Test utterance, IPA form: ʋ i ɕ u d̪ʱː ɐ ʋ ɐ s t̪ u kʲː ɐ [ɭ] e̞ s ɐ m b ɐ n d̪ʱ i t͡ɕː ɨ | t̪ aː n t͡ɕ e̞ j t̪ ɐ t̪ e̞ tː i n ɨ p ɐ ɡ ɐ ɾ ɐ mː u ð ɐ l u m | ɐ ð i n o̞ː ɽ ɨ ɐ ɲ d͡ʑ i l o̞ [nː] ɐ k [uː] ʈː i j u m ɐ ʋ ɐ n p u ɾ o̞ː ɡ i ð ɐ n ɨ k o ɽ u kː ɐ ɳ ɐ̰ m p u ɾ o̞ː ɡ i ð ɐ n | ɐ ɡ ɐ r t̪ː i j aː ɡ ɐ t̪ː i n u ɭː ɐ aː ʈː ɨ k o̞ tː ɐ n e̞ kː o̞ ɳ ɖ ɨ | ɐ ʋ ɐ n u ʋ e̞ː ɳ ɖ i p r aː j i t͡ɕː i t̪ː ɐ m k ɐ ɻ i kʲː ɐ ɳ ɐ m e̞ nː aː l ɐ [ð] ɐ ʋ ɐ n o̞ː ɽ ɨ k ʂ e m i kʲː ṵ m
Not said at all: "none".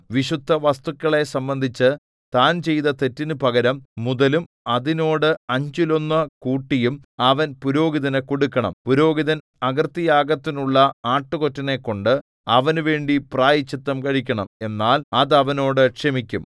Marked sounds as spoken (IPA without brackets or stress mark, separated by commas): ɭ, nː, uː, ð